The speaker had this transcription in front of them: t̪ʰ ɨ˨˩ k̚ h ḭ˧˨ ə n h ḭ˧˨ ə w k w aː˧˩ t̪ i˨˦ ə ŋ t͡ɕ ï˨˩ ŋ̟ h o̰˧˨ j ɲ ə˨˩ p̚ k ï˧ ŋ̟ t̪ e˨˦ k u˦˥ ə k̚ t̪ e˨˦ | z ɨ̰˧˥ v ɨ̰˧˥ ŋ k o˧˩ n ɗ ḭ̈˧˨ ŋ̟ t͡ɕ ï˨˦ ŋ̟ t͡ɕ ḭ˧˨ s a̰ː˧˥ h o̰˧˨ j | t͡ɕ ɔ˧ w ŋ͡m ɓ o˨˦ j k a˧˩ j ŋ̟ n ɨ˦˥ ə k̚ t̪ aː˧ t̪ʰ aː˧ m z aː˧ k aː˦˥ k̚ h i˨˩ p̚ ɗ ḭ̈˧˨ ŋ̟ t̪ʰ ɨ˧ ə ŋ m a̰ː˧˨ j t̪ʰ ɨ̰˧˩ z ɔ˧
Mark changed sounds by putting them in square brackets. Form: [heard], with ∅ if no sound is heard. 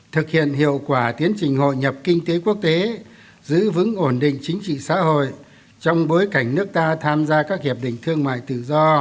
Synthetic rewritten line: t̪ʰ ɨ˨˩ k̚ h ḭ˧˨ ə n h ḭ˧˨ ə w k w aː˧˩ t̪ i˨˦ ə [n] t͡ɕ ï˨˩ ŋ̟ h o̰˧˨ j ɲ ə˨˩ p̚ k ï˧ ŋ̟ t̪ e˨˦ k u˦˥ ə k̚ t̪ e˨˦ | z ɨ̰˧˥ v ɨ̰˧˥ ŋ [ʔ] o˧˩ n ɗ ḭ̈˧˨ ŋ̟ t͡ɕ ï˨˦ ŋ̟ t͡ɕ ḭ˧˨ s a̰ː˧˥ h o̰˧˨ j | t͡ɕ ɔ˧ w ŋ͡m ɓ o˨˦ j k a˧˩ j ŋ̟ n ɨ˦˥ ə k̚ t̪ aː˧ t̪ʰ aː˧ m z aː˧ k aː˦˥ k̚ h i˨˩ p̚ ɗ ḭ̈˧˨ ŋ̟ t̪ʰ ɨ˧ ə ŋ m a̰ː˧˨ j [t̪] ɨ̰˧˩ z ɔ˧